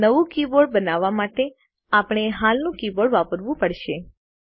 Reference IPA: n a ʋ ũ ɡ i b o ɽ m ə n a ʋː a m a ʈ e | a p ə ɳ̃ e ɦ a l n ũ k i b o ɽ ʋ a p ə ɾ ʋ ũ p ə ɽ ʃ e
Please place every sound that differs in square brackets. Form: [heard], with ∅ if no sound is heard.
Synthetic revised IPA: n [ə] ʋ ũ [k] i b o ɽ [b] ə n a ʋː a m a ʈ e | a p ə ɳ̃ e ɦ a l n ũ k i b o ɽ ʋ a p ə ɾ ʋ ũ p ə ɽ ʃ e